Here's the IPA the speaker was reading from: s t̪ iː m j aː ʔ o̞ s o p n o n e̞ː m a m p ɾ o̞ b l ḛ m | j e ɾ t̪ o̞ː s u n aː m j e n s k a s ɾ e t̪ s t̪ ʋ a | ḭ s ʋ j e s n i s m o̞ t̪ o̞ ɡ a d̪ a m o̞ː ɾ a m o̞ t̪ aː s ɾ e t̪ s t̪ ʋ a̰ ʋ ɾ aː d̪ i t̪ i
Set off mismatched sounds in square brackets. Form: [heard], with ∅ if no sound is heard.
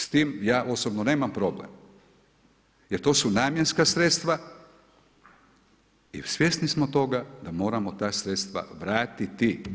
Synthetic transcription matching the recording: s t̪ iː m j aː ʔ o̞ s o [b] n o n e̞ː m a m p ɾ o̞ b l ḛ m | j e ɾ t̪ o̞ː s u n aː m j e n s k a s ɾ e t̪ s t̪ ʋ a | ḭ s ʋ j e s n i s m o̞ t̪ o̞ ɡ a d̪ a m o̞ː ɾ a m o̞ t̪ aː s ɾ e t̪ s t̪ ʋ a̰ ʋ ɾ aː [t̪] i t̪ i